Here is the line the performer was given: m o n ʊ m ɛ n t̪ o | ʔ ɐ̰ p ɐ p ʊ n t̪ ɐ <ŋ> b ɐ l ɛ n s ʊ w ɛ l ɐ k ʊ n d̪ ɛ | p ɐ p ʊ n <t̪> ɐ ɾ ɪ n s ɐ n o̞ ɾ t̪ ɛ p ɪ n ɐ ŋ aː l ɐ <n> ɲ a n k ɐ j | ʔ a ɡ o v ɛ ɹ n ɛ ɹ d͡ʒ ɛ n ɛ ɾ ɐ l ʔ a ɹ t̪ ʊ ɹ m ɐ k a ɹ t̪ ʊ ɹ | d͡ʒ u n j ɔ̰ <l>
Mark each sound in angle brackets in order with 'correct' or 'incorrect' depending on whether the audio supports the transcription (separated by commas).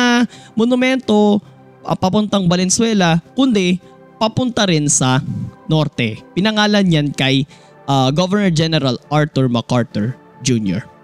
correct, correct, correct, incorrect